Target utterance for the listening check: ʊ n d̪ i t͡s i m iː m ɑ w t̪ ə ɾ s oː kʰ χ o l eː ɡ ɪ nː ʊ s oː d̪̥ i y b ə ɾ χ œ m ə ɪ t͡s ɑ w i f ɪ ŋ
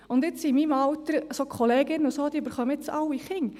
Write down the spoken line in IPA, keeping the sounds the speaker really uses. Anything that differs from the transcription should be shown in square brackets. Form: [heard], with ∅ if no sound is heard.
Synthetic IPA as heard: ʊ n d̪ [ɪ] t͡s i m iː m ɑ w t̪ ə ɾ s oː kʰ χ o l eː ɡ ɪ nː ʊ s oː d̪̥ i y b ə ɾ χ œ m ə ɪ t͡s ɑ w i [χ] ɪ ŋ